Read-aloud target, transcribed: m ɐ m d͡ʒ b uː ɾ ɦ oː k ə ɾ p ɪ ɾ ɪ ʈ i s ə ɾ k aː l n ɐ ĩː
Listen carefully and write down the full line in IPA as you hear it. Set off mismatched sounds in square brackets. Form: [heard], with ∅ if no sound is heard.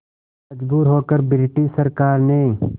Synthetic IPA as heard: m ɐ [∅] d͡ʒ b uː ɾ ɦ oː k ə ɾ [b] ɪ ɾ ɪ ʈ i s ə ɾ k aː [ɾ] n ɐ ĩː